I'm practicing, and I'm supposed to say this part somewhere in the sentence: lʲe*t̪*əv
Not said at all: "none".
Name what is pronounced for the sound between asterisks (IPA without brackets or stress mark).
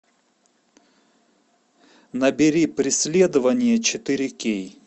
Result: d̪